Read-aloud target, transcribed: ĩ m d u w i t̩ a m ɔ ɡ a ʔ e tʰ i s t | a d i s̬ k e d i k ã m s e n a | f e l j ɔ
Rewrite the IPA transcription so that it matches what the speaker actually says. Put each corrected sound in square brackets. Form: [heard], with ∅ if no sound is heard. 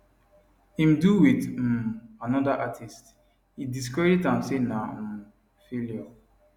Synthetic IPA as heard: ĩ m d u w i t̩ a [n] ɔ [d] a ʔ [a] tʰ i s t | [i] d i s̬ k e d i [t] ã m s e n a | f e l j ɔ